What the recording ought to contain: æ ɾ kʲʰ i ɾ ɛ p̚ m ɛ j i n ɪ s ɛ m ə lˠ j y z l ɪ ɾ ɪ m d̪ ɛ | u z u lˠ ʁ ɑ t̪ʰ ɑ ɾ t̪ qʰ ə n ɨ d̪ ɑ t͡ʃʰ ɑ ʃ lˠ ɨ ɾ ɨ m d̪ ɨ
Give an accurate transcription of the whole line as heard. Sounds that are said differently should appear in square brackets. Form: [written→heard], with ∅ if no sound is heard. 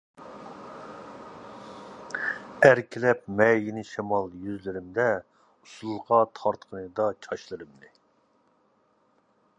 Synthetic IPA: æ ɾ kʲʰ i [ɾ→l] ɛ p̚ m ɛ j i n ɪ [s→ʃ] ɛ m [ə→ɑ] lˠ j y z l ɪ ɾ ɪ m d̪ ɛ | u [z→s] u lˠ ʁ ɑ t̪ʰ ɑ ɾ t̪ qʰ ə n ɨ d̪ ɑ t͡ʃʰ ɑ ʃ lˠ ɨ ɾ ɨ m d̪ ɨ